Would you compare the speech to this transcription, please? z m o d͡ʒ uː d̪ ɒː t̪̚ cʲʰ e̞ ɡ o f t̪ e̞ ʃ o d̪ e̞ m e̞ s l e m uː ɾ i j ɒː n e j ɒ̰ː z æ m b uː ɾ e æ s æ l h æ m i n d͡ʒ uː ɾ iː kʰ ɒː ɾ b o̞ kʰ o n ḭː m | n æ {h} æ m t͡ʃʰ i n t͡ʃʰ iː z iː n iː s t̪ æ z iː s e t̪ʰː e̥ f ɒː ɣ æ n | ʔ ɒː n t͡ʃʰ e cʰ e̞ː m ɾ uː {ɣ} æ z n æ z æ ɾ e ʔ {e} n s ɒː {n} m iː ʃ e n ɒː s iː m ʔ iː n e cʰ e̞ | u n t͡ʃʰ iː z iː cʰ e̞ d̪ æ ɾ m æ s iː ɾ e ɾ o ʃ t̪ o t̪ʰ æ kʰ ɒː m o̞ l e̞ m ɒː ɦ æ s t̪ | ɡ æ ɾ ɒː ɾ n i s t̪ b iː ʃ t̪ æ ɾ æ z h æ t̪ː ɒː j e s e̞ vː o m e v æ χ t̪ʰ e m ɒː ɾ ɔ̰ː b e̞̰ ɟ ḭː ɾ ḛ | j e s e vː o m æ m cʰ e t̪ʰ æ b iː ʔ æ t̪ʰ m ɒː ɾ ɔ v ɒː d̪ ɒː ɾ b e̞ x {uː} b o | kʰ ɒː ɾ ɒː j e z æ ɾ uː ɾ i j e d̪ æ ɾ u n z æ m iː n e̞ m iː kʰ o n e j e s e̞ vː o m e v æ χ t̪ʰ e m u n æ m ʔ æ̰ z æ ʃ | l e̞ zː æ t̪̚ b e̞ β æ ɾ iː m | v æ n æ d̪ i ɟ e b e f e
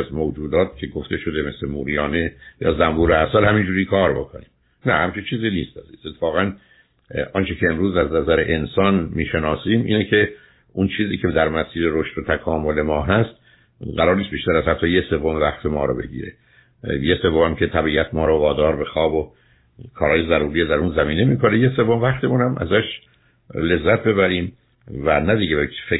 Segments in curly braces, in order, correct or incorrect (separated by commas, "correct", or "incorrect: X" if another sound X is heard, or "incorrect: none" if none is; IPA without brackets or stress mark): correct, incorrect: z, correct, correct, incorrect: ɒː